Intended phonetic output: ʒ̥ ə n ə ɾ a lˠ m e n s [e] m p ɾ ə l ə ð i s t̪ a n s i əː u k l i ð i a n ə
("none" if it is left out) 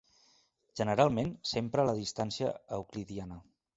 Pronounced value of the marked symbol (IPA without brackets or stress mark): e